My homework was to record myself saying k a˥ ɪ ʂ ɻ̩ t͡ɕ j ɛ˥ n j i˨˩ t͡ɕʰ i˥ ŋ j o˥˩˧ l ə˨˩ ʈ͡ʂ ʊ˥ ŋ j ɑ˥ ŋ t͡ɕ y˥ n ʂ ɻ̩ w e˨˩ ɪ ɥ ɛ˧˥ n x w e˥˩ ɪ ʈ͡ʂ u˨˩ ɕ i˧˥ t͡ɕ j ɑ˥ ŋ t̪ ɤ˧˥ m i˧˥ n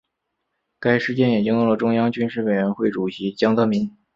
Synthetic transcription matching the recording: k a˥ ɪ ʂ ɻ̩ t͡ɕ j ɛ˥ n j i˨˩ t͡ɕ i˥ ŋ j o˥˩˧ l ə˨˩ ʈ͡ʂ ʊ˥ ŋ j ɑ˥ ŋ t͡ɕ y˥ n ʂ ɻ̩ w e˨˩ ɪ ɥ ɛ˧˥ n x w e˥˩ ɪ ʈ͡ʂ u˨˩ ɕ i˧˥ t͡ɕ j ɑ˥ ŋ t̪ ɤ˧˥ m i˧˥ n